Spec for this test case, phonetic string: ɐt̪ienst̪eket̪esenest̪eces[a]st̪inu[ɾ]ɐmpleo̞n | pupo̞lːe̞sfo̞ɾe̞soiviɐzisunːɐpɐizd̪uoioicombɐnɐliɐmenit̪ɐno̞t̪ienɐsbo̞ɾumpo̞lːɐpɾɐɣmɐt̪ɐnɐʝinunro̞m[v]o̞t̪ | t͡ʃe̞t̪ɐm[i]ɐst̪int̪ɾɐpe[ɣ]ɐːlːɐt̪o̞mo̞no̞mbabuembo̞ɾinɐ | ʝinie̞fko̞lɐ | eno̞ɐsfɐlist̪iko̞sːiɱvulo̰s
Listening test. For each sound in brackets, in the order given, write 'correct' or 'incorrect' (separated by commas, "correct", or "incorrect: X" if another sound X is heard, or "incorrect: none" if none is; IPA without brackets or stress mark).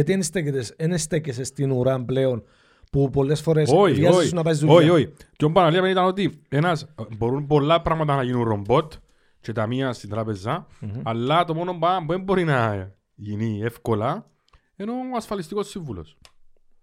incorrect: e, correct, incorrect: b, correct, incorrect: z